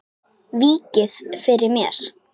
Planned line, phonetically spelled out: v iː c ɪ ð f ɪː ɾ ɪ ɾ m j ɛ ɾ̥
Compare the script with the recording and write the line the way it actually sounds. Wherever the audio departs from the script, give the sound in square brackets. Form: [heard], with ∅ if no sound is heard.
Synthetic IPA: v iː c ɪ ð f [ɪ] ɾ ɪ ɾ m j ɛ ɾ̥